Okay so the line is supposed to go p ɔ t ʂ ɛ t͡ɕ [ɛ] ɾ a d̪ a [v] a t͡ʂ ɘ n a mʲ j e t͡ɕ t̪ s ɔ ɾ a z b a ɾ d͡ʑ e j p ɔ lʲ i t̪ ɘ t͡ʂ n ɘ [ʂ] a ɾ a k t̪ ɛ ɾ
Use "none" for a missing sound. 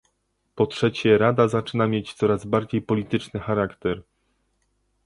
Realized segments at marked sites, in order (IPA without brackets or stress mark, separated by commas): ɛ, z, x